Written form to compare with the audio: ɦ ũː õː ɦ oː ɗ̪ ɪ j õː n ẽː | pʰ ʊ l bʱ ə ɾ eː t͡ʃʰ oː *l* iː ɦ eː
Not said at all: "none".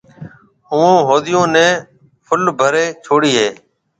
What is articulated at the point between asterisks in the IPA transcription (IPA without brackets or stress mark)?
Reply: ɽ